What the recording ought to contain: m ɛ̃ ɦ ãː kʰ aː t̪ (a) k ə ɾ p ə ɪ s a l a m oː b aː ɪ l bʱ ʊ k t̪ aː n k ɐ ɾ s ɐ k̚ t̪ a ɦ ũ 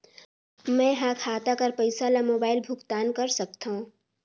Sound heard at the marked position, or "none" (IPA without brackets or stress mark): a